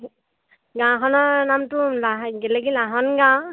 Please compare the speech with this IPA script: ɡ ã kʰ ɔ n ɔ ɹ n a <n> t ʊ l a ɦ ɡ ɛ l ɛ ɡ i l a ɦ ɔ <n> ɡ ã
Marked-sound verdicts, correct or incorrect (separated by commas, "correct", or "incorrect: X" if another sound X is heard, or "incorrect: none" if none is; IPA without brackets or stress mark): incorrect: m, correct